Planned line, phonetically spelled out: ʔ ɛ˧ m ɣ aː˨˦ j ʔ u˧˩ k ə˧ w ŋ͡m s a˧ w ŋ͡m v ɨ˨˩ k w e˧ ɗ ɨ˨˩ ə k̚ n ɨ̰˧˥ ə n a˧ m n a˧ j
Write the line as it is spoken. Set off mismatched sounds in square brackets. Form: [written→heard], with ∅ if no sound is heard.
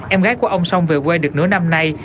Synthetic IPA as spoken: ʔ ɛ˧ m ɣ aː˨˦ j [ʔ→k] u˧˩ [k→ʔ] ə˧ w ŋ͡m s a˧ w ŋ͡m v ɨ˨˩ k w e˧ ɗ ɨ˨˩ ə k̚ n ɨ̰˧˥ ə n a˧ m n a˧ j